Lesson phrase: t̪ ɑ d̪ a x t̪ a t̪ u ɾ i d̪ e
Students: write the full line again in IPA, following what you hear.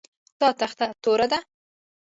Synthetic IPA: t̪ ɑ t̪ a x t̪ a t̪ o ɾ a d̪ a